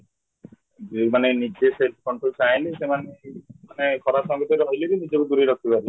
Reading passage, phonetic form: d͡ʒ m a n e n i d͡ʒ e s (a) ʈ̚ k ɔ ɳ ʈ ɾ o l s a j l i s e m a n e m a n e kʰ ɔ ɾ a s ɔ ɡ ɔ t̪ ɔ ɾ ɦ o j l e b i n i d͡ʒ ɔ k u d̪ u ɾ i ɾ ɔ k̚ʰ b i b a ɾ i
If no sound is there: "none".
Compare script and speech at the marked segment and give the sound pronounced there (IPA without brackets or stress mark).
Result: e